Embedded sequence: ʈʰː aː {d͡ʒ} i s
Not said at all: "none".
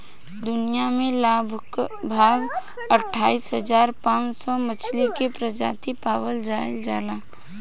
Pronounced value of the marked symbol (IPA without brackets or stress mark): none